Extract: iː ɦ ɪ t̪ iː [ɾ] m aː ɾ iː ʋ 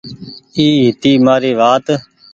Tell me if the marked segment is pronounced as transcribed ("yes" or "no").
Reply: no